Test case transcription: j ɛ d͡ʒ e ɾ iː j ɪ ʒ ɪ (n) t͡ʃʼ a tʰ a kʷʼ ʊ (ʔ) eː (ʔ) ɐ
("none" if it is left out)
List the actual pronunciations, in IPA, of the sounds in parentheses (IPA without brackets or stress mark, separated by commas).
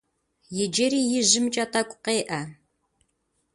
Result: m, q, ʔ